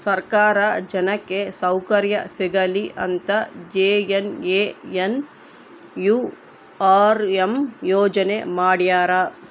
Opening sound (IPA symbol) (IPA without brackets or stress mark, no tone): s